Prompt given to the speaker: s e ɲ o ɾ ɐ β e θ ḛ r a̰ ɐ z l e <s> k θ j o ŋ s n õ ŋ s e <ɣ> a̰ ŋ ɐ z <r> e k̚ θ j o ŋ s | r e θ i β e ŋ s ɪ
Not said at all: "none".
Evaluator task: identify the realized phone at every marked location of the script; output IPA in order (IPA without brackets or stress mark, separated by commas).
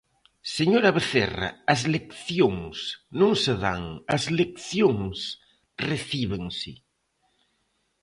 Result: none, ð, l